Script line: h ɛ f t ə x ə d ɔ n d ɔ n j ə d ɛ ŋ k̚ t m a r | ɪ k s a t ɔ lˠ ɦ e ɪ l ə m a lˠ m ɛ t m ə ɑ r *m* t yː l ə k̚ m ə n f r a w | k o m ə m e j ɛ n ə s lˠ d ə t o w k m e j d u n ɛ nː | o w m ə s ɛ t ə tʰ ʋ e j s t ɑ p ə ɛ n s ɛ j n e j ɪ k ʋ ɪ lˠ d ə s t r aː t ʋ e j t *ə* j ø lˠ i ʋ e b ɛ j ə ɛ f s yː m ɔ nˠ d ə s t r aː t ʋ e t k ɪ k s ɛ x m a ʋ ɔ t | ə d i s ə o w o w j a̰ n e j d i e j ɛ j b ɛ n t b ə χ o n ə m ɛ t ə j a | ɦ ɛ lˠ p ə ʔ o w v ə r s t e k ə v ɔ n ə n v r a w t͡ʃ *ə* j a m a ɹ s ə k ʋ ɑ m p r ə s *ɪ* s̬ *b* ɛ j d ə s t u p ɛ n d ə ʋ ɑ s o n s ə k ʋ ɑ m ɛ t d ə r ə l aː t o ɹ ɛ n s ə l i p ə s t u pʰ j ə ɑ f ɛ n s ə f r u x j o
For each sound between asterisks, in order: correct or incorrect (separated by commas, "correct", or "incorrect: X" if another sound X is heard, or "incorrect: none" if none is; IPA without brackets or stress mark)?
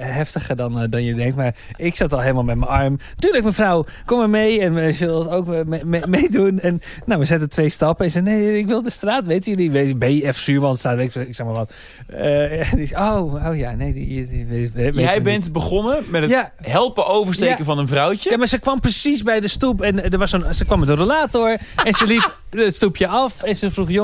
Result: correct, correct, correct, incorrect: i, correct